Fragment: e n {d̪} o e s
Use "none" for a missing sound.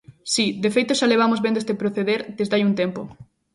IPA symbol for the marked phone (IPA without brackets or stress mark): d̪